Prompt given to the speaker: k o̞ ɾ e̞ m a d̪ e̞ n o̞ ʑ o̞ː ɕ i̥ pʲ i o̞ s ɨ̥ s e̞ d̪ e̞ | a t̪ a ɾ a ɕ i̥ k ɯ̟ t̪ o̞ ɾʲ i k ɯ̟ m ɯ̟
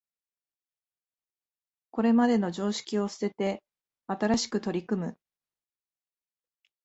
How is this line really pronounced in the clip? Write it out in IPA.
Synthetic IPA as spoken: k o̞ ɾ e̞ m a d̪ e̞ n o̞ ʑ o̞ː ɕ i̥ kʲ i o̞ s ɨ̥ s e̞ t̪ e̞ | a t̪ a ɾ a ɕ i̥ k ɯ̟ t̪ o̞ ɾʲ i k ɯ̟ m ɯ̟

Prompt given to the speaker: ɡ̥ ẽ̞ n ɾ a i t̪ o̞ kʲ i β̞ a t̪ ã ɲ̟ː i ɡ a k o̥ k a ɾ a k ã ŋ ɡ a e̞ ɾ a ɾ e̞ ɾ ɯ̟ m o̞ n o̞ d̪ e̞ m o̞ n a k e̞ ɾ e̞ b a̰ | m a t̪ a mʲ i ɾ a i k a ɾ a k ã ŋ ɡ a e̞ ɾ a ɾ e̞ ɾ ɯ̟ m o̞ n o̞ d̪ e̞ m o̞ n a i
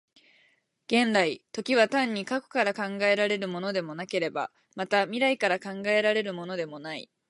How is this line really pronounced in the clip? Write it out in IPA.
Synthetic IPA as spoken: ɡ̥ ẽ̞ n ɾ a i t̪ o̞ kʲ i β̞ a t̪ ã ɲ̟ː i k a k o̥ k a ɾ a k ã ŋ ɡ a e̞ ɾ a ɾ e̞ ɾ ɯ̟ m o̞ n o̞ d̪ e̞ m o̞ n a k e̞ ɾ e̞ b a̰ | m a t̪ a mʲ i ɾ a i k a ɾ a k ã ŋ ɡ a e̞ ɾ a ɾ e̞ ɾ ɯ̟ m o̞ n o̞ d̪ e̞ m o̞ n a i

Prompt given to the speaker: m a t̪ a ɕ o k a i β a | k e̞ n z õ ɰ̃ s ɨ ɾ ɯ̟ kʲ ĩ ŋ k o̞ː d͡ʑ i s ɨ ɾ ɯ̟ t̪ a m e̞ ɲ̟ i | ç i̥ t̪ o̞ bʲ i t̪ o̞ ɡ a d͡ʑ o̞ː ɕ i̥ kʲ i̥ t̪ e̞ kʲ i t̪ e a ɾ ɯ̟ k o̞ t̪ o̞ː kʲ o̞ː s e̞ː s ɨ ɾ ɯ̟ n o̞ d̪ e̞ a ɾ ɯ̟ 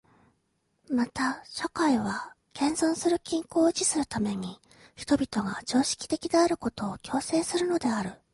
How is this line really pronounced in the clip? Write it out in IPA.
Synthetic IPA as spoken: m a t̪ a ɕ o k a i β a | k ẽ̞ n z õ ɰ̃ s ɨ ɾ ɯ̟ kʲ ĩ ŋ k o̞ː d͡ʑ i s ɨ ɾ ɯ̟ t̪ a m e̞ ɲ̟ i | ç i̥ t̪ o̞ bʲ i t̪ o̞ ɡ a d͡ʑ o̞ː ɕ i̥ kʲ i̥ t̪ e̞ kʲ i d̪ e a ɾ ɯ̟ k o̞ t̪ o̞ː kʲ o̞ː s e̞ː s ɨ ɾ ɯ̟ n o̞ d̪ e̞ a ɾ ɯ̟

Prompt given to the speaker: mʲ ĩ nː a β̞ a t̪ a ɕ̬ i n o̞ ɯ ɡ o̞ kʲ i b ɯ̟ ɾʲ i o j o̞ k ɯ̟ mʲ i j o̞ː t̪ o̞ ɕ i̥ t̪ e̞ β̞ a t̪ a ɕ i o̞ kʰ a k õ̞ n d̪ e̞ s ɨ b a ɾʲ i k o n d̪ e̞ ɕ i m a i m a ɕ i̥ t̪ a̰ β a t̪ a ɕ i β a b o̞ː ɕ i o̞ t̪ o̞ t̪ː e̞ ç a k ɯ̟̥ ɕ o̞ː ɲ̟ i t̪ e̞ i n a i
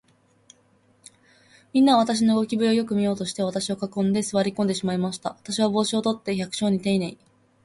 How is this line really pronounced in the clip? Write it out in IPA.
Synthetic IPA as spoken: mʲ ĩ nː a β̞ a t̪ a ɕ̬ i n o̞ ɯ ɡ o̞ kʲ i b ɯ̟ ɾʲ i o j o̞ k ɯ̟ mʲ i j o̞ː t̪ o̞ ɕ i̥ t̪ e̞ β̞ a t̪ a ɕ i o̞ k a k õ̞ n d̪ e̞ s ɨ β a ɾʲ i k o n d̪ e̞ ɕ i m a i m a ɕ i̥ t̪ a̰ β a t̪ a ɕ i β a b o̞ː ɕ i o̞ t̪ o̞ t̪ː e̞ ç a k ɯ̟̥ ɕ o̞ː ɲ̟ i t̪ e̞ i n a i

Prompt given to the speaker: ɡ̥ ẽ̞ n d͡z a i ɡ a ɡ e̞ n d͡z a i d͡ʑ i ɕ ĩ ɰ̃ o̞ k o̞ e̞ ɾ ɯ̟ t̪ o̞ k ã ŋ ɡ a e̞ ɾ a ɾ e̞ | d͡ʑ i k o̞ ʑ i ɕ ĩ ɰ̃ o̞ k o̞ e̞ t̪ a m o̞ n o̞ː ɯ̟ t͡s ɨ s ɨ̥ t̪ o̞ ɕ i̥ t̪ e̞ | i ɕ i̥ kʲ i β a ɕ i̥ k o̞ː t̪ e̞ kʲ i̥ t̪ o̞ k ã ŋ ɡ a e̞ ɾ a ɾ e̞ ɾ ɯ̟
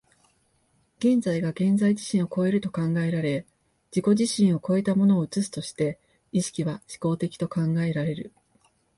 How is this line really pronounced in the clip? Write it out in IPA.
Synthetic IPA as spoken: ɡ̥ ẽ̞ n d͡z a i ɡ a ɡ ẽ̞ n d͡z a i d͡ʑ i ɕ ĩ ɰ̃ o̞ k o̞ e̞ ɾ ɯ̟ t̪ o̞ k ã ŋ ɡ a e̞ ɾ a ɾ e̞ | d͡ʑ i k o̞ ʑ i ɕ ĩ ɰ̃ o̞ k o̞ e̞ t̪ a m o̞ n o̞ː ɯ̟ t͡s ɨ s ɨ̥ t̪ o̞ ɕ i̥ t̪ e̞ | i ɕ i̥ kʲ i β a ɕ i̥ k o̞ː t̪ e̞ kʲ i̥ t̪ o̞ k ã ŋ ɡ a e̞ ɾ a ɾ e̞ ɾ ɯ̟

